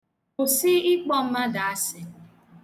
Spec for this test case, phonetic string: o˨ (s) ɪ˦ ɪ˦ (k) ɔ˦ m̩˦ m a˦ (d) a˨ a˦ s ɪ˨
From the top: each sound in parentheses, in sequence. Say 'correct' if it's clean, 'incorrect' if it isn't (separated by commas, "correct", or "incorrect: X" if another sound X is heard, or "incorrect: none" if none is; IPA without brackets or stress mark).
correct, incorrect: k͡p, correct